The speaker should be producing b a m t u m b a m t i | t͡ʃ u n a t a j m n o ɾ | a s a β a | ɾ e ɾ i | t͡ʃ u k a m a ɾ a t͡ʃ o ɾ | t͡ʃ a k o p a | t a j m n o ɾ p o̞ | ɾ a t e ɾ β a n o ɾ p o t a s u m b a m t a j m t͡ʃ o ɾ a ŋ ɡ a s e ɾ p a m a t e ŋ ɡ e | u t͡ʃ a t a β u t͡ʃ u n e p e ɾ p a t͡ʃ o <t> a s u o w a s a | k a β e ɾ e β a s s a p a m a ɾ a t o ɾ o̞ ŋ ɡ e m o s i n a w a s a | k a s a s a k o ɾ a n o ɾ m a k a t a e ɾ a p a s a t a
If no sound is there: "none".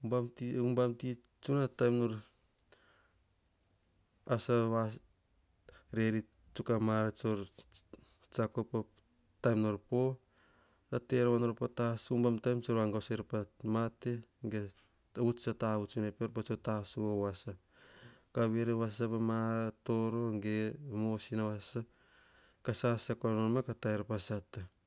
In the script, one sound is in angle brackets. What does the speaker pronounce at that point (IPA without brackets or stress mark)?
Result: t